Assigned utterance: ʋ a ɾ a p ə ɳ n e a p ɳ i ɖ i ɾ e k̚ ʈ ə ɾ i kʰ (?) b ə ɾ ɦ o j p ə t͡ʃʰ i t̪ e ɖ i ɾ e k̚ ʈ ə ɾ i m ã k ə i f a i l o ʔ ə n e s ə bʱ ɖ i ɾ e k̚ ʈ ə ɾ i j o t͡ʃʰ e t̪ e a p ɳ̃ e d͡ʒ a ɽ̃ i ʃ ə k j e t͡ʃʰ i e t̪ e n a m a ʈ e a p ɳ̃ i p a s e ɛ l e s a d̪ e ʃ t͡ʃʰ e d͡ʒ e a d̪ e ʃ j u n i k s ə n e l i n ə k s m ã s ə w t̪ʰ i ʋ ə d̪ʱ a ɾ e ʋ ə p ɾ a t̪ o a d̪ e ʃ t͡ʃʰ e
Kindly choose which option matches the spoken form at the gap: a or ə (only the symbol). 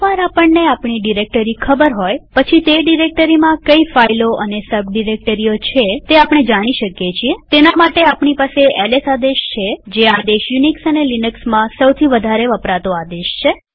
ə